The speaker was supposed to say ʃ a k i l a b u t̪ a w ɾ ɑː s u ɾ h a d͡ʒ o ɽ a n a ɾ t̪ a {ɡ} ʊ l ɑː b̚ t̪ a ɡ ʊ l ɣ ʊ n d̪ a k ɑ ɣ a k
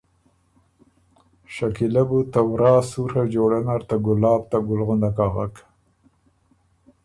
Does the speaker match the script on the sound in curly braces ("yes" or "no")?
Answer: yes